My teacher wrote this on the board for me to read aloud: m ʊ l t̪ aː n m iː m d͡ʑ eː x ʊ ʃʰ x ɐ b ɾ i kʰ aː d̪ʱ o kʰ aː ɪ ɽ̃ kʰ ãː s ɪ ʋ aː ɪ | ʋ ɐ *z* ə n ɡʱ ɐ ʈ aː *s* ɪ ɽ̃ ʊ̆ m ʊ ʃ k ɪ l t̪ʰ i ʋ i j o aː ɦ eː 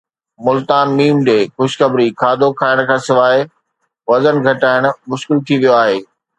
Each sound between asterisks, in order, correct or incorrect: correct, incorrect: none

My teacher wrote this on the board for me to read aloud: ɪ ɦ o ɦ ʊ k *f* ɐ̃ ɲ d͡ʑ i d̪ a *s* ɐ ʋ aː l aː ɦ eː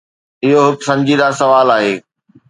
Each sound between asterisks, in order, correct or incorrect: incorrect: s, correct

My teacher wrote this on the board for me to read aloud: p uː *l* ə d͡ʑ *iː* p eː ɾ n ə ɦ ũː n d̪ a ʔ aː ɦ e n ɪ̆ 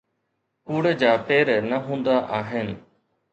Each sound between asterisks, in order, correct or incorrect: incorrect: ɽ, incorrect: aː

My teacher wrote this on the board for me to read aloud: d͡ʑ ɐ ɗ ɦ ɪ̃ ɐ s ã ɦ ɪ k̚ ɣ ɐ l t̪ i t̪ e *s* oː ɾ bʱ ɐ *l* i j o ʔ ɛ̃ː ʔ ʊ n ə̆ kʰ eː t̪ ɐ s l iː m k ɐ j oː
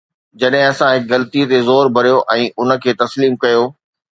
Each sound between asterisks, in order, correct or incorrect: incorrect: z, incorrect: ɾ

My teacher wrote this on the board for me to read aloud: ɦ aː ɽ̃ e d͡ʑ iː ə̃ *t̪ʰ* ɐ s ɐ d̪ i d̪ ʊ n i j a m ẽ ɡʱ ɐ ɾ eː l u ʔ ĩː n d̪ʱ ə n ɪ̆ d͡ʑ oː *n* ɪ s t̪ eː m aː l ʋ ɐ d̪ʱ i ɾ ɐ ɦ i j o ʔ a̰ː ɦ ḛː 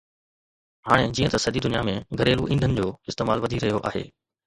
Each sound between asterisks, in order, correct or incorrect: incorrect: t̪, incorrect: none

